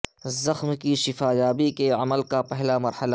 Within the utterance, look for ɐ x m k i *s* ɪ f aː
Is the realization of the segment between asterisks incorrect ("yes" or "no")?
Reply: yes